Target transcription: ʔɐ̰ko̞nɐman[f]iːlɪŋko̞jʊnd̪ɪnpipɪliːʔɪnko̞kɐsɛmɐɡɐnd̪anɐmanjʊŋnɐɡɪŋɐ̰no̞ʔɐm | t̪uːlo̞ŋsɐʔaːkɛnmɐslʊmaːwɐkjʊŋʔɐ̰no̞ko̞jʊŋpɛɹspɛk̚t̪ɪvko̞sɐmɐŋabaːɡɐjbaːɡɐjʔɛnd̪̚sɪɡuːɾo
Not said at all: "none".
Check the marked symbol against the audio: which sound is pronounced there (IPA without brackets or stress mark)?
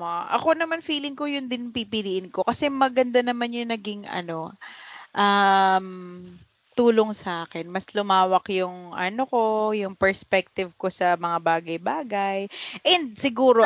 f